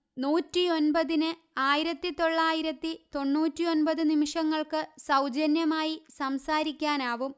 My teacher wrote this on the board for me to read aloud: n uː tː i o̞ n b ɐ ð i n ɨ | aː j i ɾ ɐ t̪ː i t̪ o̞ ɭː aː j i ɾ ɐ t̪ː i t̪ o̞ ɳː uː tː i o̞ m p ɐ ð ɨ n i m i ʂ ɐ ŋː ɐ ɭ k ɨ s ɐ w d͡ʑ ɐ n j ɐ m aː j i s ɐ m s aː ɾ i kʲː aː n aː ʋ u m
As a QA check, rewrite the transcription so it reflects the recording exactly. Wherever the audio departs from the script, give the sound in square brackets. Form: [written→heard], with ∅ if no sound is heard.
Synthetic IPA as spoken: n uː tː i o̞ n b ɐ ð i n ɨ | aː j i ɾ ɐ t̪ː i t̪ o̞ ɭː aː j i ɾ ɐ t̪ː i t̪ o̞ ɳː uː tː i o̞ [m→n] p ɐ ð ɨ n i m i ʂ ɐ ŋː ɐ ɭ k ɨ s ɐ w d͡ʑ ɐ n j ɐ m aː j i s ɐ m s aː ɾ i kʲː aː n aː ʋ u m

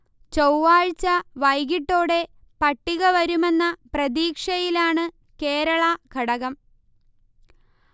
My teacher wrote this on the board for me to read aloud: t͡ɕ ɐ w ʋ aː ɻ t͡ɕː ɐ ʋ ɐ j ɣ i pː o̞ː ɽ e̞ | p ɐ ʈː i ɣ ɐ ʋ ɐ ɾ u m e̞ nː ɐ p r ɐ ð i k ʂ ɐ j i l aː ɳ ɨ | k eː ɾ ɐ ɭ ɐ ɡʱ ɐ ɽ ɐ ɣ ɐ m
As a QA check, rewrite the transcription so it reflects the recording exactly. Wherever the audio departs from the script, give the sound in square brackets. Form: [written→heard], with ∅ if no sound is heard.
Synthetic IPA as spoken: t͡ɕ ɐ w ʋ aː ɻ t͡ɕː ɐ ʋ ɐ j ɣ i [pː→ʈː] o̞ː ɽ e̞ | p ɐ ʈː i ɣ ɐ ʋ ɐ ɾ u m e̞ nː ɐ p r ɐ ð [i→iː] k ʂ ɐ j i l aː ɳ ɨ | k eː ɾ ɐ ɭ ɐ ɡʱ ɐ ɽ ɐ ɣ ɐ m

